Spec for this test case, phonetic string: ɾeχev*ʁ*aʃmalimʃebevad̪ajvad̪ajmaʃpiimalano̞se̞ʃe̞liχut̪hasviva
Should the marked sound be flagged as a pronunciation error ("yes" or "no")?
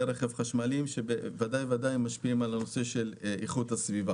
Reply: yes